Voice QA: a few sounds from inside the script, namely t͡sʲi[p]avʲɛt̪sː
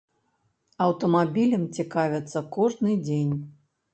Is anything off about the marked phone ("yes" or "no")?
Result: yes